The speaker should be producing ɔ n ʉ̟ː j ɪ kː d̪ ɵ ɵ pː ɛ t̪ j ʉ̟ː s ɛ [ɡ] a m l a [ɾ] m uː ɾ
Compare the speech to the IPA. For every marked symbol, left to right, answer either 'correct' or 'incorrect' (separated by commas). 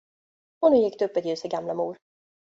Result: correct, incorrect